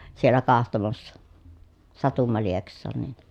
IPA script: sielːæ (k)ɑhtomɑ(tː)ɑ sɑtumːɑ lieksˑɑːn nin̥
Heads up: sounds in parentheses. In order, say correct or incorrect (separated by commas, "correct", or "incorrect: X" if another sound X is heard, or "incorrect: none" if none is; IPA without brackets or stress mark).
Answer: correct, incorrect: sː